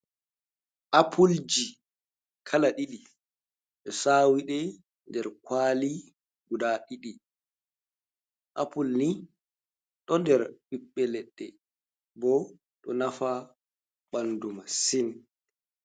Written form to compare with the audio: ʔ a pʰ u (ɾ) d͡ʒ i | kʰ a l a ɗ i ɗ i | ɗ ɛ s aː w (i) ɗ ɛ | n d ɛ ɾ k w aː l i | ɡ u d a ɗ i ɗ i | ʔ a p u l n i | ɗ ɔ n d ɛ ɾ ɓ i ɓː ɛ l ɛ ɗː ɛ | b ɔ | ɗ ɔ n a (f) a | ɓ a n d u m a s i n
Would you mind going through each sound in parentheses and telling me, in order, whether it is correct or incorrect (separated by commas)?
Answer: incorrect, correct, correct